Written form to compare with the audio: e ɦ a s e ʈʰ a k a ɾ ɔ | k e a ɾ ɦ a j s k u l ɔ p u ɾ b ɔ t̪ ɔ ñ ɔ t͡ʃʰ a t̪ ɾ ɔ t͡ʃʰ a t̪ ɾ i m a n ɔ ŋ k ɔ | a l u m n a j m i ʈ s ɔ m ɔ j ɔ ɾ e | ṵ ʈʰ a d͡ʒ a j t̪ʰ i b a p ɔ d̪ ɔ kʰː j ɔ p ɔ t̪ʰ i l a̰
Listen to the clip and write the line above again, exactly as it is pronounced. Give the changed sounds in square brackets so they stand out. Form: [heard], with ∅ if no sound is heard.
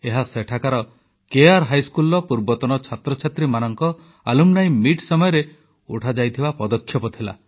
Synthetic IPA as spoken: e ɦ a s e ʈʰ a k a ɾ ɔ | k e a ɾ ɦ a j s k u l ɔ p u ɾ b ɔ t̪ ɔ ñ ɔ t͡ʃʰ a t̪ ɾ ɔ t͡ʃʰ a t̪ ɾ i m a n ɔ ŋ k ɔ | a l u m n a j m i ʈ s ɔ m ɔ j ɔ ɾ e | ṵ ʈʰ a d͡ʒ a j t̪ʰ i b a p ɔ d̪ ɔ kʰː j ɔ p ɔ t̪ʰ i l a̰

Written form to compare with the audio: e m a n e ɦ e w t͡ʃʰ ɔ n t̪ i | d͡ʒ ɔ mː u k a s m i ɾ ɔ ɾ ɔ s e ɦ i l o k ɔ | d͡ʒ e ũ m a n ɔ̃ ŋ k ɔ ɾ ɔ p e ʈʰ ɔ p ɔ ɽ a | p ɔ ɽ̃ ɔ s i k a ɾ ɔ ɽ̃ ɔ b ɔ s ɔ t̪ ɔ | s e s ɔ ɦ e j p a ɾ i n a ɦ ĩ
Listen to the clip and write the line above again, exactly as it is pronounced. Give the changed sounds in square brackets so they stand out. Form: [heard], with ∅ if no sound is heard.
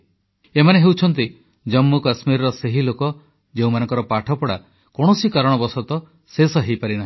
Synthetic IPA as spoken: e m a n e ɦ e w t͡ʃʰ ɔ n t̪ i | d͡ʒ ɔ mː u k a s m i ɾ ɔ ɾ ɔ s e ɦ i l o k ɔ | d͡ʒ e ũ m a n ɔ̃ ŋ k ɔ ɾ ɔ p [a] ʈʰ ɔ p ɔ ɽ a | [k] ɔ ɽ̃ ɔ s i k a ɾ ɔ ɽ̃ ɔ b ɔ s ɔ t̪ ɔ | s e s ɔ ɦ e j p a ɾ i n a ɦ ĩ

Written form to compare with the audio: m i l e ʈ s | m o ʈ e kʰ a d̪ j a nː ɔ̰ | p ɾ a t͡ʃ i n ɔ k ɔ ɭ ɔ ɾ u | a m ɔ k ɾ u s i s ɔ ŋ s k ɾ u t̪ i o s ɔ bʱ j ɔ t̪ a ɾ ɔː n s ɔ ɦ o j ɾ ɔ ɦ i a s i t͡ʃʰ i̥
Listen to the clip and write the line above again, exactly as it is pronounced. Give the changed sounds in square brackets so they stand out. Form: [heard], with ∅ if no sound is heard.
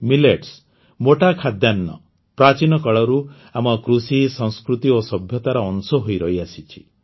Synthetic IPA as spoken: m i l e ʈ s | m o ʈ [a] kʰ a d̪ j a nː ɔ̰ | p ɾ a t͡ʃ i n ɔ k ɔ ɭ ɔ ɾ u | a m ɔ k ɾ u s i s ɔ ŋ s k ɾ u t̪ i o s ɔ bʱ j ɔ t̪ a ɾ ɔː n s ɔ ɦ o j ɾ ɔ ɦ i a s i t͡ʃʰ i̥

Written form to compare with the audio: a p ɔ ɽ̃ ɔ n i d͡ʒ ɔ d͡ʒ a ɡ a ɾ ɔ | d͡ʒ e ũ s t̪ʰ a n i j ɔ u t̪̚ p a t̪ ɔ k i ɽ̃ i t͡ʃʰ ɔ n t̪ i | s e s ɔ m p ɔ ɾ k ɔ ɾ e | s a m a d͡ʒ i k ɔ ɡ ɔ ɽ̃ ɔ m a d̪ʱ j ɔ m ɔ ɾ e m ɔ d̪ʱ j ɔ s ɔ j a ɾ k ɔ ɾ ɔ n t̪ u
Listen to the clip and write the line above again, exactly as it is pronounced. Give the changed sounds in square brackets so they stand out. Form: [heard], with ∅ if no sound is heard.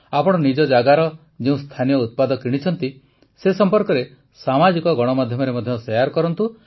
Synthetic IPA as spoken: a p ɔ ɽ̃ ɔ n i d͡ʒ ɔ d͡ʒ a ɡ a ɾ ɔ | d͡ʒ e ũ s t̪ʰ a n i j ɔ u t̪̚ p a [d̪] ɔ k i ɽ̃ i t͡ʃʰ ɔ n t̪ i | s e s ɔ m p ɔ ɾ k ɔ ɾ e | s a m a d͡ʒ i k ɔ ɡ ɔ ɽ̃ ɔ m a d̪ʱ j ɔ m ɔ ɾ e m ɔ d̪ʱ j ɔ s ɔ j a ɾ k ɔ ɾ ɔ n t̪ u

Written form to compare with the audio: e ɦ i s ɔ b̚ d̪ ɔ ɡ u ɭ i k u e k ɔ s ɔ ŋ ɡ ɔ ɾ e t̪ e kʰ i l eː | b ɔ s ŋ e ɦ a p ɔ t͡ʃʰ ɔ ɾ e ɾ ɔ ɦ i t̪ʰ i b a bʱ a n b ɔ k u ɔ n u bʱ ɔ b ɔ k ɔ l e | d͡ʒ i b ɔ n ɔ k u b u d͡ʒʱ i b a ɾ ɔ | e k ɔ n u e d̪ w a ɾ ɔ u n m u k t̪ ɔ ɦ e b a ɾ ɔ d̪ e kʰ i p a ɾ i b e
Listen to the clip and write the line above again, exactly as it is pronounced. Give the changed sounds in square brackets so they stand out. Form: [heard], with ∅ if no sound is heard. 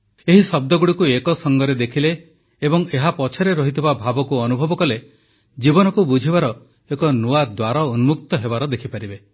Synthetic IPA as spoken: e ɦ i s ɔ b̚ d̪ ɔ ɡ u [ɽ] i k u e k ɔ s ɔ ŋ ɡ ɔ ɾ e [d̪] e kʰ i l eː | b ɔ [∅] ŋ e ɦ a p ɔ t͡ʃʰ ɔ ɾ e ɾ ɔ ɦ i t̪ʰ i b a bʱ a [∅] b ɔ k u ɔ n u bʱ ɔ b ɔ k ɔ l e | d͡ʒ i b ɔ n ɔ k u b u d͡ʒʱ i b a ɾ ɔ | e k ɔ n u [a] d̪ w a ɾ ɔ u n m u k t̪ ɔ ɦ e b a ɾ ɔ d̪ e kʰ i p a ɾ i b e

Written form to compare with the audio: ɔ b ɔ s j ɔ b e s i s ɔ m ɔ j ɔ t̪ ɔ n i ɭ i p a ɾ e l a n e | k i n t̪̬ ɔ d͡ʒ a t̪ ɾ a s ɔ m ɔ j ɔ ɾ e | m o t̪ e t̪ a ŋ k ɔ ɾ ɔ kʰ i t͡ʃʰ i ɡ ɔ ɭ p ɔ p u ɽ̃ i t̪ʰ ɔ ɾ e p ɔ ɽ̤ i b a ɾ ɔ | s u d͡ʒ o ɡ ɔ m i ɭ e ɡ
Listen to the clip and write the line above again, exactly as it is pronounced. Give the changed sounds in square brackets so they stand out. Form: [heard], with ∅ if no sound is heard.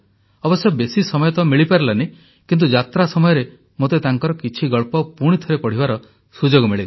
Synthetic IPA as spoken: ɔ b ɔ s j ɔ b e s i s ɔ m ɔ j ɔ t̪ ɔ [m] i ɭ i p a ɾ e l a n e | k i n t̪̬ [u] d͡ʒ a t̪ ɾ a s ɔ m ɔ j ɔ ɾ e | m o t̪ e t̪ a ŋ k ɔ ɾ ɔ [k] i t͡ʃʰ i ɡ ɔ ɭ p ɔ p u ɽ̃ i t̪ʰ ɔ ɾ e p ɔ ɽ̤ i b a ɾ ɔ | s u d͡ʒ o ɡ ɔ m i ɭ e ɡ

